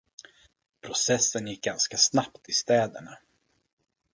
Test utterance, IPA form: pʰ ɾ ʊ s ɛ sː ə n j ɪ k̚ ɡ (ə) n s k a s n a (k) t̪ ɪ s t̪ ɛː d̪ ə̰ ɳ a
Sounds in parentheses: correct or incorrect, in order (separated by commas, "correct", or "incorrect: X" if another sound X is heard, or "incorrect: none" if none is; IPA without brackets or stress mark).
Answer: incorrect: a, incorrect: p